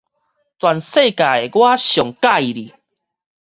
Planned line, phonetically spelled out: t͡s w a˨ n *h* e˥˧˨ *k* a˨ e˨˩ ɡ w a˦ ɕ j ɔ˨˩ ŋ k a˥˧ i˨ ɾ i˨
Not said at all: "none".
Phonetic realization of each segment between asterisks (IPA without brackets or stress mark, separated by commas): s, k